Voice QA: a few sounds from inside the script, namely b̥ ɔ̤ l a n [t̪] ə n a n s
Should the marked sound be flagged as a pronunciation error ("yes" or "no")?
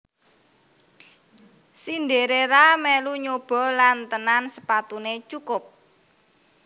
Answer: no